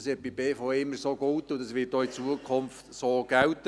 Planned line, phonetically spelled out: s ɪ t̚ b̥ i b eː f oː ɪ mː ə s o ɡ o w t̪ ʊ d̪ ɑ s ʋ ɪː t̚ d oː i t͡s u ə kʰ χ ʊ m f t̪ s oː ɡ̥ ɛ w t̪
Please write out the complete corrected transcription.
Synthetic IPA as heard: s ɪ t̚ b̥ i b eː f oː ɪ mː ə s o ɡ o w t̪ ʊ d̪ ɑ s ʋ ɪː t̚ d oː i t͡s u ə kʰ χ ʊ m f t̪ s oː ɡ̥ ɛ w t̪